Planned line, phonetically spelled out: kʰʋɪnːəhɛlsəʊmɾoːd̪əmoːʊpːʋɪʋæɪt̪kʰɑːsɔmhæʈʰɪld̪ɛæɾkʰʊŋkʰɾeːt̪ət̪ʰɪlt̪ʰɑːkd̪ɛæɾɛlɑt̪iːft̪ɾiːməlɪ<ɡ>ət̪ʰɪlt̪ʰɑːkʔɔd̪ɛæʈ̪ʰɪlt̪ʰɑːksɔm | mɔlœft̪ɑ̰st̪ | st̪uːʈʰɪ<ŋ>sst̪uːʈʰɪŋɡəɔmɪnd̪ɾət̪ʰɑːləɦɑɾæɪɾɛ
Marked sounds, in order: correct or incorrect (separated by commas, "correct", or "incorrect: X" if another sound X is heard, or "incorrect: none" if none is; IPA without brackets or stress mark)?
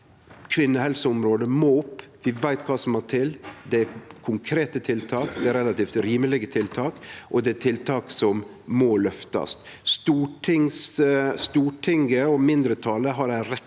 correct, correct